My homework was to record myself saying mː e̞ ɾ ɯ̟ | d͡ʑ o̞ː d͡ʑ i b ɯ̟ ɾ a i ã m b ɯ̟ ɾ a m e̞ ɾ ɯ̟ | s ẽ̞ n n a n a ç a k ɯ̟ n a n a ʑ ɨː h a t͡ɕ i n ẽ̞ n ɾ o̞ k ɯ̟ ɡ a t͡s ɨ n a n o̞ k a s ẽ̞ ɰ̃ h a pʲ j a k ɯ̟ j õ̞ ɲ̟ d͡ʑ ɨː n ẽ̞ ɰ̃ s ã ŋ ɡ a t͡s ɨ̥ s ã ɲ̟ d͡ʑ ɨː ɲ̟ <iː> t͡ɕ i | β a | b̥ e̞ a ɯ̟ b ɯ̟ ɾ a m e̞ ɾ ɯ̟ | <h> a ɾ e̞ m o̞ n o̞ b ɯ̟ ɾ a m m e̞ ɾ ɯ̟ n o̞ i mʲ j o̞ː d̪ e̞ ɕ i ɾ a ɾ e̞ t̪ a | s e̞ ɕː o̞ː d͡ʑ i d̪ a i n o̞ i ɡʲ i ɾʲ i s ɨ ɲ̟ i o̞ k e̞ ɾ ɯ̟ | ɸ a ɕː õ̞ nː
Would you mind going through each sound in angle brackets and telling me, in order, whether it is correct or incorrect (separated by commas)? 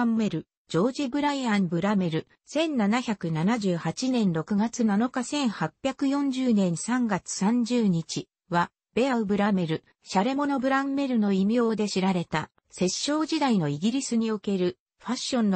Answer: incorrect, incorrect